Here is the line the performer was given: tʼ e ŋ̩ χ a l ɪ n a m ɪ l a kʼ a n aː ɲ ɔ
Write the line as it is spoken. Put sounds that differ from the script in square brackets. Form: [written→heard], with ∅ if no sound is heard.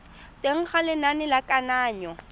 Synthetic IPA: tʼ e ŋ̩ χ a l ɪ n a [m→n] ɪ l a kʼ a n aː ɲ ɔ

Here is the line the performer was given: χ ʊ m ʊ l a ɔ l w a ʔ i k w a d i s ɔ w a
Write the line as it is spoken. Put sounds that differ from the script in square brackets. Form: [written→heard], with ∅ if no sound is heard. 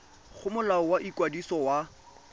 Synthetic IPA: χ ʊ m ʊ l a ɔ [l→∅] w a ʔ i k w a d i s ɔ w a

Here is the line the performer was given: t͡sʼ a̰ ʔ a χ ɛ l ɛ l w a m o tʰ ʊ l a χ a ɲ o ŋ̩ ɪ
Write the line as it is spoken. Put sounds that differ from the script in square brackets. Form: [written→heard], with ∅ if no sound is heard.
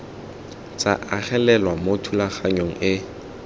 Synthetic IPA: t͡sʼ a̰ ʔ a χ ɛ l ɛ l w a m o tʰ [ʊ→u] l a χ a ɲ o ŋ̩ ɪ

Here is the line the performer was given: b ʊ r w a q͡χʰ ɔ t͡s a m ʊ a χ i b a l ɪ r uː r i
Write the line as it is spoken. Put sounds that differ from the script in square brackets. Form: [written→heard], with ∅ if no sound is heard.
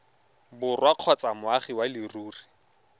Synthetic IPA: b ʊ r w a q͡χʰ ɔ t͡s a m ʊ a χ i [b→w] a l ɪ r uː r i

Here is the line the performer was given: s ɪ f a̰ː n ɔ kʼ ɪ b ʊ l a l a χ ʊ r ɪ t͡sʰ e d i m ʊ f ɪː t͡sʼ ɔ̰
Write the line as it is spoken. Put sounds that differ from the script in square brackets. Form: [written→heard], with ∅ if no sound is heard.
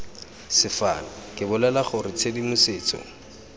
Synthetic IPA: s ɪ f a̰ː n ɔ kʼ ɪ b ʊ l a l a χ ʊ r ɪ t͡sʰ e d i m ʊ [f→s] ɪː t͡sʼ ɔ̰

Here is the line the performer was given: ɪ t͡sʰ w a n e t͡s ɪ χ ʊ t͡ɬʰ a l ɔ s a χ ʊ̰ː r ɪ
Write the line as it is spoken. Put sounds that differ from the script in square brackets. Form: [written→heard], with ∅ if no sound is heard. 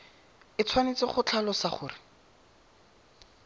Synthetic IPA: ɪ t͡sʰ w a n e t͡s ɪ χ ʊ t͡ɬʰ a l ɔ s a χ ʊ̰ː r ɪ

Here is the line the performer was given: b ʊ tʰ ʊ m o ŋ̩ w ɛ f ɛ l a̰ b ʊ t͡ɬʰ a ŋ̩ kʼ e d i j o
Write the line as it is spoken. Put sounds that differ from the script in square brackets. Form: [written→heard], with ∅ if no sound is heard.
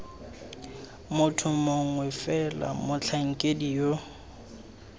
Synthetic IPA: [b→m] ʊ tʰ ʊ m o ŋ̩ w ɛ f ɛ l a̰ [b→m] ʊ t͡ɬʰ a ŋ̩ kʼ e d i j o

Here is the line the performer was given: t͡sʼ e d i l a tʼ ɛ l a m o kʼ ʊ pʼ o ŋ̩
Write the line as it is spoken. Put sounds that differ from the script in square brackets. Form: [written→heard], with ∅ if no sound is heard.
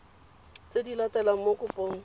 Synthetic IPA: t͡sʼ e d i l a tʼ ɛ l a m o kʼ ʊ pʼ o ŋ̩

